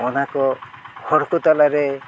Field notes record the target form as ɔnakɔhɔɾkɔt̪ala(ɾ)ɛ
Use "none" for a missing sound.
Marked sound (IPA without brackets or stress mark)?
ɾ